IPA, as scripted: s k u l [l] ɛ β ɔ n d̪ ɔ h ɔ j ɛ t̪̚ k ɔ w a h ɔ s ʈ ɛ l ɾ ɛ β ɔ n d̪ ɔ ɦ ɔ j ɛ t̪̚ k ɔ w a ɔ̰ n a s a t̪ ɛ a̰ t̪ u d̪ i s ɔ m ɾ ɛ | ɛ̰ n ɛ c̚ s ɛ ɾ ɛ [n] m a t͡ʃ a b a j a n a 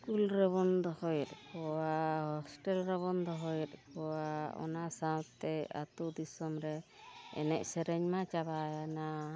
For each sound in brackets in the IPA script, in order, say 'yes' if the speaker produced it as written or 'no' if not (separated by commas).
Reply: no, no